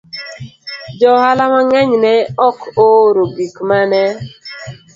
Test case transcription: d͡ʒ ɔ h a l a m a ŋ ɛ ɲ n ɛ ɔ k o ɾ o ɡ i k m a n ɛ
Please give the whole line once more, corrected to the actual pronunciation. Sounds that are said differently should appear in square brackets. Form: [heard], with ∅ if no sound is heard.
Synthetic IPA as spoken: d͡ʒ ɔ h a l a m a ŋ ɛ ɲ n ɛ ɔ k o ɾ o ɡ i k m a n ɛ